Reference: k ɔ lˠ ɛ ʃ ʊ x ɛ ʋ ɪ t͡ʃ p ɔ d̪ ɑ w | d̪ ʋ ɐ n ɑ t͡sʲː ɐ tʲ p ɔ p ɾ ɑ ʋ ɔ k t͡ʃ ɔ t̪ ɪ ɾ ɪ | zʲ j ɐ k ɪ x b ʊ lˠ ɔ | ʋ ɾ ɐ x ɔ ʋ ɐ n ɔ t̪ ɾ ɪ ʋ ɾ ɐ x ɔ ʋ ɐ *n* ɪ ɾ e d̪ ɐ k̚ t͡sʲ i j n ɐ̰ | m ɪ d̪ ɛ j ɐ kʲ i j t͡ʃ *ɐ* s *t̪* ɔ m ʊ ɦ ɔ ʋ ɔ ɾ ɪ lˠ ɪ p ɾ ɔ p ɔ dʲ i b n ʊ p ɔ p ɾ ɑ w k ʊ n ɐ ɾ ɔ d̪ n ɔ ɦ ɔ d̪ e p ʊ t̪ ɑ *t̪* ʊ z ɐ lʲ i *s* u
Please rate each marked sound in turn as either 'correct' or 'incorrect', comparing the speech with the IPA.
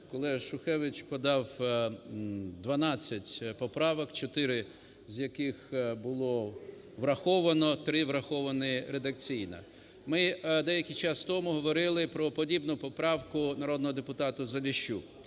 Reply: correct, incorrect, correct, correct, incorrect

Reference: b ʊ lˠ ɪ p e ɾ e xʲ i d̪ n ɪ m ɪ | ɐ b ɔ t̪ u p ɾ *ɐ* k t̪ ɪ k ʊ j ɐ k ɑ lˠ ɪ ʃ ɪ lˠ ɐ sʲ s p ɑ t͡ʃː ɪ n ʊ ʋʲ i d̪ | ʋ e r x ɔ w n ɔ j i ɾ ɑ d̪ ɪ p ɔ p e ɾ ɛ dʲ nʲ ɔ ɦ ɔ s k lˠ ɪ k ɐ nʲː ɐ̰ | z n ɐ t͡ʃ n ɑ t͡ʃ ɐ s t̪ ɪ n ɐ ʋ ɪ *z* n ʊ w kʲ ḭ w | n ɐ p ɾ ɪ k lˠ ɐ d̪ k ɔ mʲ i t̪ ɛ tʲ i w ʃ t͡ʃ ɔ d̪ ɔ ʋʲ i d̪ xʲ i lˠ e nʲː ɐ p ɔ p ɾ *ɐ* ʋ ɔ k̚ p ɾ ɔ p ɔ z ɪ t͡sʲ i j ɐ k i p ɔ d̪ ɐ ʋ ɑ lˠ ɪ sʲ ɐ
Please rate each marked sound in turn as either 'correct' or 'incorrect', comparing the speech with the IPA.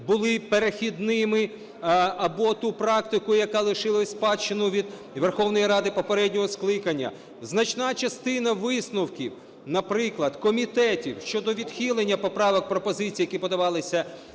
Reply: incorrect, incorrect, incorrect

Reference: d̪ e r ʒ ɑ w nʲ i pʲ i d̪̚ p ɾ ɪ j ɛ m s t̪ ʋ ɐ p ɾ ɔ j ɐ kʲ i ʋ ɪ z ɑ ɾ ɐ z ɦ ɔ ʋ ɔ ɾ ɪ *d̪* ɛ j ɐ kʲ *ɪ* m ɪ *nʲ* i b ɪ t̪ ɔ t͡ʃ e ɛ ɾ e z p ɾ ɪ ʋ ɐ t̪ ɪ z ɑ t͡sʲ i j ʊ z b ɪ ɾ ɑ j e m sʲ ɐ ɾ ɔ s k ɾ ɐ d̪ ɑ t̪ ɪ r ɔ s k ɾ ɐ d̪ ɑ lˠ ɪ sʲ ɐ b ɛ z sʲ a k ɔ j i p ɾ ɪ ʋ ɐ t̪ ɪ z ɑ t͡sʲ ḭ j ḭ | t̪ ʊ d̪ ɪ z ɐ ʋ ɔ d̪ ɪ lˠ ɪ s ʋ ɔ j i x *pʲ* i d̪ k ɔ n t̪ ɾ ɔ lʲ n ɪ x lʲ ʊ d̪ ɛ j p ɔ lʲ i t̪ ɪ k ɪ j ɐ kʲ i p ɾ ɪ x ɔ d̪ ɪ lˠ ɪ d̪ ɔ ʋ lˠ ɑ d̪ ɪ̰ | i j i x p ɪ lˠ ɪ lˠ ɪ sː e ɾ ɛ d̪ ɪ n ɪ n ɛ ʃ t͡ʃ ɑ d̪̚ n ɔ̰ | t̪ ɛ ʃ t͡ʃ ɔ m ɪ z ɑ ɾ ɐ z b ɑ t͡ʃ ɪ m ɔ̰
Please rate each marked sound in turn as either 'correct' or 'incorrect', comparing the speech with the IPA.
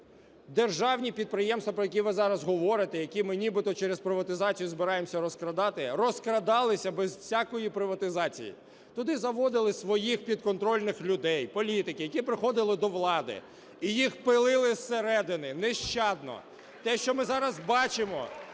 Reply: incorrect, incorrect, correct, correct

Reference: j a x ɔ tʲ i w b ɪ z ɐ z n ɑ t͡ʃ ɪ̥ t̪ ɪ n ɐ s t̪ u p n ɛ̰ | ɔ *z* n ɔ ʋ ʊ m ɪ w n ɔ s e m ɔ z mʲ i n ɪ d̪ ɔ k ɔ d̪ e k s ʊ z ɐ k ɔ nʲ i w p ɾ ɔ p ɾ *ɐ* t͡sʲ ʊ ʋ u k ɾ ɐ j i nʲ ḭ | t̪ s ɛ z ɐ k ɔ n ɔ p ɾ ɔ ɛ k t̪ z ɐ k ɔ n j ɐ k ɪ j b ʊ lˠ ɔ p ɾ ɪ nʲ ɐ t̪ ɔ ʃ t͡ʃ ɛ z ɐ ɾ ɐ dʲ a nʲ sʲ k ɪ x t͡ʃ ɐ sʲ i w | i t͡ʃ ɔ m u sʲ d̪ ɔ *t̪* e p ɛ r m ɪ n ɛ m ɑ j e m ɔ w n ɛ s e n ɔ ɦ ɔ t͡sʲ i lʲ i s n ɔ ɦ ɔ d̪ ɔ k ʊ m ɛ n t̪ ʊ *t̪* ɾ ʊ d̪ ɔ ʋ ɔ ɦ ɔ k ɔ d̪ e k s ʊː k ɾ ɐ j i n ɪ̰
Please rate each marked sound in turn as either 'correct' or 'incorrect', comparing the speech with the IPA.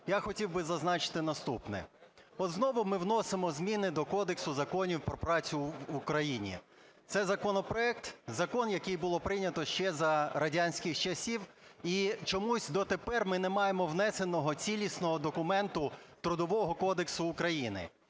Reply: correct, incorrect, correct, correct

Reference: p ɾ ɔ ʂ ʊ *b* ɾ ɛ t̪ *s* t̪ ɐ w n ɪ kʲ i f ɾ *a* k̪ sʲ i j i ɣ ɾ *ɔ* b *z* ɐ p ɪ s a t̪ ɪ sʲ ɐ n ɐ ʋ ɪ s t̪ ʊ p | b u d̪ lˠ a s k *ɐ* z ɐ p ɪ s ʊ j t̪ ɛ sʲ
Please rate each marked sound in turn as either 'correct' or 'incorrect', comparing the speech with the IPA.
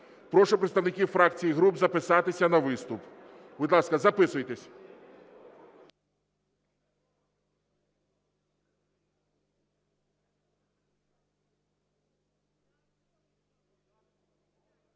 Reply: incorrect, correct, correct, incorrect, correct, correct

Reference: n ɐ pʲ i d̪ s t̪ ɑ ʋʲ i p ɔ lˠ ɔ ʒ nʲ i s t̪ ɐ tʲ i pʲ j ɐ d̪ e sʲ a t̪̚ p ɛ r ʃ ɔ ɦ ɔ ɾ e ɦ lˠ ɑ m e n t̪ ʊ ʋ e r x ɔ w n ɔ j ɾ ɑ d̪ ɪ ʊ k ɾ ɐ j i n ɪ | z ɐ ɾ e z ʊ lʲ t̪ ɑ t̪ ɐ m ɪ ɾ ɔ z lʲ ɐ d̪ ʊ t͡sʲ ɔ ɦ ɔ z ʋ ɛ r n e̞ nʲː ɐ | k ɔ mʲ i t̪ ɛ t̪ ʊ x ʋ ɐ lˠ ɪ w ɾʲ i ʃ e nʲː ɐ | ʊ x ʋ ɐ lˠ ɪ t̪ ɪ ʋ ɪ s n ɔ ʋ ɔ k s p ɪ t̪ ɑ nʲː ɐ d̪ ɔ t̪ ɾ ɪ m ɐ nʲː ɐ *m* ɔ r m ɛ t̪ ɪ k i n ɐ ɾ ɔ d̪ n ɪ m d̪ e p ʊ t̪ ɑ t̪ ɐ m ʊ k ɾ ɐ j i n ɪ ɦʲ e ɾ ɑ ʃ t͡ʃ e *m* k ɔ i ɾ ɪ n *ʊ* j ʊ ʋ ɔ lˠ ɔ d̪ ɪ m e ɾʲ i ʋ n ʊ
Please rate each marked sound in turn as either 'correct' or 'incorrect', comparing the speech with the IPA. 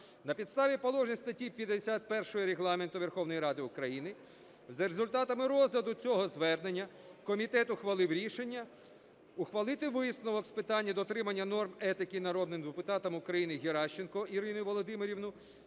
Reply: incorrect, incorrect, correct

